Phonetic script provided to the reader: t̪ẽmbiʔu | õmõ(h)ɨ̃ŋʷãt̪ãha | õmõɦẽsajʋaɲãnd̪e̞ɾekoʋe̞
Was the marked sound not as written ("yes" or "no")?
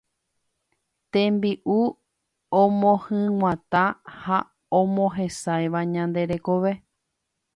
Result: no